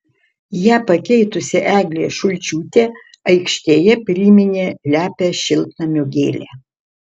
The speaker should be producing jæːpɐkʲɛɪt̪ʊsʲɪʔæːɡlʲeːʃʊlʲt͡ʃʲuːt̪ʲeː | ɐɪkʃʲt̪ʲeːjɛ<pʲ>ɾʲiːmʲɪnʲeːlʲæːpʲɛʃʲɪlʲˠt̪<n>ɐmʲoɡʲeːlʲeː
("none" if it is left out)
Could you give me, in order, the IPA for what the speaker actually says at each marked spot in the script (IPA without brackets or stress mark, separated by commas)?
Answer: pʲ, n